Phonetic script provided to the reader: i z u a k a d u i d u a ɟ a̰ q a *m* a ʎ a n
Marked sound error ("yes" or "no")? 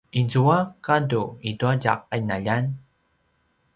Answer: yes